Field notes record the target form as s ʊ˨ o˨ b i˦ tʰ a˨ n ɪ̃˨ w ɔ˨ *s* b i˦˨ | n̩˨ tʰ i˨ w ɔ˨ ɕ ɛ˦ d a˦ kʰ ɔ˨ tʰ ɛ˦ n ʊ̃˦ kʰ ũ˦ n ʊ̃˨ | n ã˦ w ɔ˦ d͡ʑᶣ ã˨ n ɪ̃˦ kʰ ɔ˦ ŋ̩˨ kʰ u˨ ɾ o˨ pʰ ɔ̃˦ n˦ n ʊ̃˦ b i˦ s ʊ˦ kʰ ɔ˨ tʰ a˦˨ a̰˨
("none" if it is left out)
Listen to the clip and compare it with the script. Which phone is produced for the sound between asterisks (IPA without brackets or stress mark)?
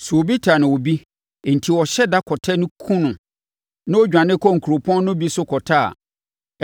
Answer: none